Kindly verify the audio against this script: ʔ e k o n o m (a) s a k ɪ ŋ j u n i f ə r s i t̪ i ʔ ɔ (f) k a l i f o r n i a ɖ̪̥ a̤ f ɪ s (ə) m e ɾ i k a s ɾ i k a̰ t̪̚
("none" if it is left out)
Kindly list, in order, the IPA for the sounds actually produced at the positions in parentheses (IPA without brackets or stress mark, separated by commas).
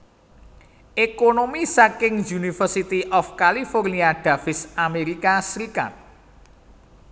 i, f, a